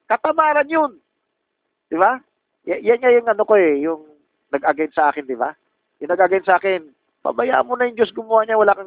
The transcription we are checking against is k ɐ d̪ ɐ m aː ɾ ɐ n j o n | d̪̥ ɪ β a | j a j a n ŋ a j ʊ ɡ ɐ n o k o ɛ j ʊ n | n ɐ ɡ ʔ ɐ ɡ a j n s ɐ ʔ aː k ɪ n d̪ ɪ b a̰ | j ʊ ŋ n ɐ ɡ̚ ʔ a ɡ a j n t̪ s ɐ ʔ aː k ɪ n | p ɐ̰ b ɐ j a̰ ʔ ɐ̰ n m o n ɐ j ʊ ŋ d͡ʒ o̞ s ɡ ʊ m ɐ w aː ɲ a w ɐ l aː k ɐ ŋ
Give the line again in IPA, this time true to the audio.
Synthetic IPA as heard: k ɐ t̪ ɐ m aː ɾ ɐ n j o n | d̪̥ ɪ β a | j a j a n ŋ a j ʊ ŋ ɐ n o k o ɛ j ʊ ŋ | n ɐ ɡ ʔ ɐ ɡ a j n s ɐ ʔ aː k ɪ n d̪ ɪ b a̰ | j ʊ ŋ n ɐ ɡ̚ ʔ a ɡ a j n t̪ s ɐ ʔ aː k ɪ n | p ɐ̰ b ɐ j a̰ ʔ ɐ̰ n m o n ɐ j ʊ ŋ d͡ʒ o̞ s ɡ ʊ m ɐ w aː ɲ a w ɐ l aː k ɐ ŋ